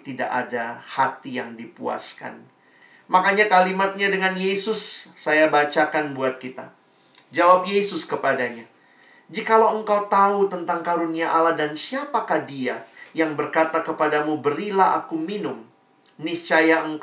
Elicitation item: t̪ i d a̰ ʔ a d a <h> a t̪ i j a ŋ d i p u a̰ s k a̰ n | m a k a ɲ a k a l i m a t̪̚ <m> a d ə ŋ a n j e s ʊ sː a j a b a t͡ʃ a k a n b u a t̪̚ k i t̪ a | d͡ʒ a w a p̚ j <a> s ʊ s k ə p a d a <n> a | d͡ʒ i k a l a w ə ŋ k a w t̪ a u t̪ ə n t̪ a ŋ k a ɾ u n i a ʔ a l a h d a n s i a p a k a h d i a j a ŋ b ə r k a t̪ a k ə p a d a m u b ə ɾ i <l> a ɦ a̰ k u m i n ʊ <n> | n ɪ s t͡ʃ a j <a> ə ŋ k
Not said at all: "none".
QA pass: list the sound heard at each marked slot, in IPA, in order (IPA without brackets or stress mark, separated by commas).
h, ɲ, e, ɲ, l, m, a